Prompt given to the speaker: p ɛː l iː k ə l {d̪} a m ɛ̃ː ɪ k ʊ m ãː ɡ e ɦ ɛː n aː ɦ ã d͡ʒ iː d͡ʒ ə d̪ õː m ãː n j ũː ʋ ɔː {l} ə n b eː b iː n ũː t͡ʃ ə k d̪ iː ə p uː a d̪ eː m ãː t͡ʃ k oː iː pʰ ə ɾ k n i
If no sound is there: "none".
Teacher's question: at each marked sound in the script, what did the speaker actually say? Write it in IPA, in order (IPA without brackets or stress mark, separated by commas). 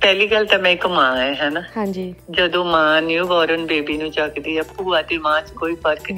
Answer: t̪, ɾ